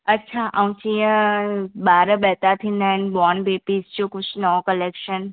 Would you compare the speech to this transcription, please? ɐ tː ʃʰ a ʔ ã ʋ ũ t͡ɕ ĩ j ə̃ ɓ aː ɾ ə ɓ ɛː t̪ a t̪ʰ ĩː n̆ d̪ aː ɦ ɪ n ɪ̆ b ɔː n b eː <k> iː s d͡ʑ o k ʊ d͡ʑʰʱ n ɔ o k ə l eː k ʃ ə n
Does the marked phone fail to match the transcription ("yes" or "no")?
yes